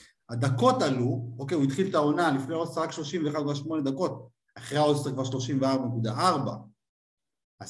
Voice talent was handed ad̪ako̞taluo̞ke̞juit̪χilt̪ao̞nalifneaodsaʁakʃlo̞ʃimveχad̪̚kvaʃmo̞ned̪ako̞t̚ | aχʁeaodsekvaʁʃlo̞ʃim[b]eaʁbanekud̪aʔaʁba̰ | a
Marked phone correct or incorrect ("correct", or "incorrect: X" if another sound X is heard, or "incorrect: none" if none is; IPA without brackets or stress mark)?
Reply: incorrect: v